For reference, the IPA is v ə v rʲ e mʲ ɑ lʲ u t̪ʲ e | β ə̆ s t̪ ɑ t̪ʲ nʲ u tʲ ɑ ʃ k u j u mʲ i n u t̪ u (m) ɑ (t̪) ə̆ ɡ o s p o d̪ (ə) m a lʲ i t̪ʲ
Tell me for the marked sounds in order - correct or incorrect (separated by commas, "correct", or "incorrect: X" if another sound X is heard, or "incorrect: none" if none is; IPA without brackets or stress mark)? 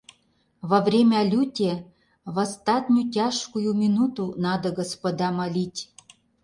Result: incorrect: n, incorrect: d̪, incorrect: ɑ